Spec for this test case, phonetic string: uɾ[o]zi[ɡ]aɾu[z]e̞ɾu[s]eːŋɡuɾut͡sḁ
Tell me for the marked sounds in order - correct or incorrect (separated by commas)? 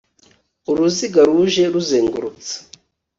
incorrect, correct, incorrect, incorrect